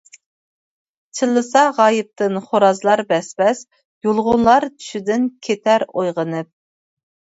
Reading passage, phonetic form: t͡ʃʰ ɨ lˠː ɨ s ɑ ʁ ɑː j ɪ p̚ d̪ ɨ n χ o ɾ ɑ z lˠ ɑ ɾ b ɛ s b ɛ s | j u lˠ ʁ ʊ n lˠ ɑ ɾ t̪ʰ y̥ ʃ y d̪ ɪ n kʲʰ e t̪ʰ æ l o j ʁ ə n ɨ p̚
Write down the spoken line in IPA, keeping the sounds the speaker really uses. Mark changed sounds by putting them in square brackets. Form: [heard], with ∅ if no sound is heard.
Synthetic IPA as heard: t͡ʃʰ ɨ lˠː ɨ s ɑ ʁ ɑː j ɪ p̚ [t̪] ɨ n χ o ɾ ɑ z lˠ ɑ ɾ b ɛ s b ɛ s | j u lˠ ʁ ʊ n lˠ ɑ ɾ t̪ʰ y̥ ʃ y d̪ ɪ n kʲʰ e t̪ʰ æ [ɾ] o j ʁ ə n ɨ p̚